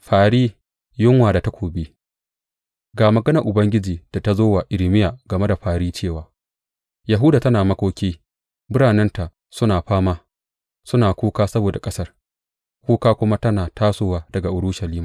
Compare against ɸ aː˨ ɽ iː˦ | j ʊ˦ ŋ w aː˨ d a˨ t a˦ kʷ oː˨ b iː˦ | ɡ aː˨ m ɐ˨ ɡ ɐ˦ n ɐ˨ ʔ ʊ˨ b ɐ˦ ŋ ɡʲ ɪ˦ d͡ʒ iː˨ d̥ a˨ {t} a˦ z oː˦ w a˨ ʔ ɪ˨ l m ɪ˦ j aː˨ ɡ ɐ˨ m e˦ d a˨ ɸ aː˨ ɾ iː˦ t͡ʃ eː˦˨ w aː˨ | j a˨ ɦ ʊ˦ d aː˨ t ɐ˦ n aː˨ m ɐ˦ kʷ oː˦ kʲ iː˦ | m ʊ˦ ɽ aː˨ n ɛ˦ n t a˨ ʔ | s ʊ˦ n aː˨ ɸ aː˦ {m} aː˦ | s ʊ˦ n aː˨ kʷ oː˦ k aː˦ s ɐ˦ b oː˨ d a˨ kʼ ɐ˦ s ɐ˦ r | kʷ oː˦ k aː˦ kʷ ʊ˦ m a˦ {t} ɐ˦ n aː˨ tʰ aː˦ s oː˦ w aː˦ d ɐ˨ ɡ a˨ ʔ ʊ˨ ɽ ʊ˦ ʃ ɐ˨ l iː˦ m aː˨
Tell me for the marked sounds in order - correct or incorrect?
correct, correct, correct

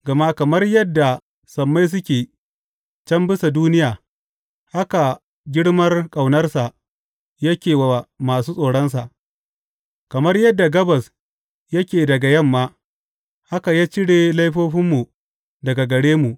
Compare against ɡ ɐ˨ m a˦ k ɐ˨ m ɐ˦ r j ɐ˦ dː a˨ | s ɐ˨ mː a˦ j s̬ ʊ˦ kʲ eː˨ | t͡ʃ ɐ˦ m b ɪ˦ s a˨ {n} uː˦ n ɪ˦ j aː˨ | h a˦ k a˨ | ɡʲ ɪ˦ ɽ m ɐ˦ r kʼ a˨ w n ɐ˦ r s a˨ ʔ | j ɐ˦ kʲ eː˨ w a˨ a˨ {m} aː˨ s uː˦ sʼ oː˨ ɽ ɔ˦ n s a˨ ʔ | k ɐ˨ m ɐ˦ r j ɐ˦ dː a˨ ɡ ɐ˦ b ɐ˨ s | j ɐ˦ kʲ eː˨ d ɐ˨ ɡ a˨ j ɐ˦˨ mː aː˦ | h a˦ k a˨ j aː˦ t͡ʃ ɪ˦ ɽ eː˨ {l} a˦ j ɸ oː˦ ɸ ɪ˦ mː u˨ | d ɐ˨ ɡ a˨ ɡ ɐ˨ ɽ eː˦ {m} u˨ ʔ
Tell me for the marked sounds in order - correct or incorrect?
incorrect: d, correct, correct, correct

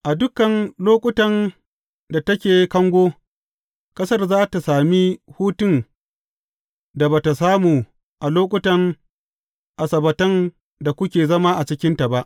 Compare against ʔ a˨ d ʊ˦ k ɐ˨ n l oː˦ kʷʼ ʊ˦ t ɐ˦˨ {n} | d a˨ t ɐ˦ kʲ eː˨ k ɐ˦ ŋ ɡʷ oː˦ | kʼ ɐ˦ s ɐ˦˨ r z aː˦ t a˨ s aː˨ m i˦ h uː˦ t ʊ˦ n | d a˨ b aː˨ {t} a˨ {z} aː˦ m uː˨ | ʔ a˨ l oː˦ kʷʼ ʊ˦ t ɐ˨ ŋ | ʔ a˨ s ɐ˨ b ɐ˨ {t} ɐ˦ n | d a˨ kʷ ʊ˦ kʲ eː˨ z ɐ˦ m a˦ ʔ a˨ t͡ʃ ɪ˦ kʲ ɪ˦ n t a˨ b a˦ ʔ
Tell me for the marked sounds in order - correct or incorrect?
correct, correct, incorrect: s, correct

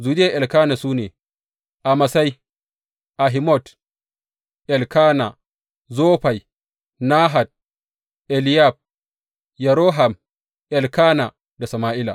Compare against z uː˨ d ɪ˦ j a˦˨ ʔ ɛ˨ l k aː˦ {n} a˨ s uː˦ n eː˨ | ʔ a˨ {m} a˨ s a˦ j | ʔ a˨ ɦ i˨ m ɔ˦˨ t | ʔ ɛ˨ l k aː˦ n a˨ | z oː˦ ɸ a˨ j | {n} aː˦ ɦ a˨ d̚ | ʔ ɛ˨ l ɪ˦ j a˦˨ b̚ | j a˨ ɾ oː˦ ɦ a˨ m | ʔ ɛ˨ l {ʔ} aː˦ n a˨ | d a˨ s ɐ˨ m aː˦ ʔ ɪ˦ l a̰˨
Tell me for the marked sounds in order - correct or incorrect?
correct, correct, correct, incorrect: k

